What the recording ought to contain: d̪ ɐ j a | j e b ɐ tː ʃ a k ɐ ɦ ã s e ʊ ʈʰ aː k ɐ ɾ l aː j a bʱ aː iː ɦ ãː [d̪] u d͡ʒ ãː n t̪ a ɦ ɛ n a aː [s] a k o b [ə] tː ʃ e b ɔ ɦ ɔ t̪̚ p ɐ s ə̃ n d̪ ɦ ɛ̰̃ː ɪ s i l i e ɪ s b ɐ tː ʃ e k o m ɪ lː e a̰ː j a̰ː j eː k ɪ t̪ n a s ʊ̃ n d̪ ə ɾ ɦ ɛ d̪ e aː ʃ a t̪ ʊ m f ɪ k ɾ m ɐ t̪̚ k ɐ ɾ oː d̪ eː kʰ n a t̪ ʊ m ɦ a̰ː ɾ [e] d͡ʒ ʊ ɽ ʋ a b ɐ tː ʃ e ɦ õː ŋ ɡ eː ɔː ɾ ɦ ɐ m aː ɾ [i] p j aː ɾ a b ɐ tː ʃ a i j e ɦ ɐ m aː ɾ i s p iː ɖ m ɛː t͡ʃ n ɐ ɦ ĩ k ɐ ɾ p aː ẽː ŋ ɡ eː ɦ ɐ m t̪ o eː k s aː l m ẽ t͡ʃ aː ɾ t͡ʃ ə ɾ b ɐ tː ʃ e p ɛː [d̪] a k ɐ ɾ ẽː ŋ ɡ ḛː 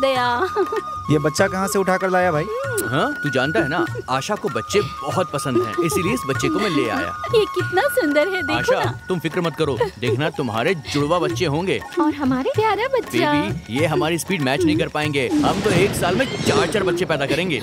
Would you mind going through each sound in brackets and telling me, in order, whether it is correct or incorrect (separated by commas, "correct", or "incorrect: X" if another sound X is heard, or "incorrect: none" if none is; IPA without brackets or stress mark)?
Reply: incorrect: t̪, incorrect: ʃ, incorrect: ɐ, correct, incorrect: e, correct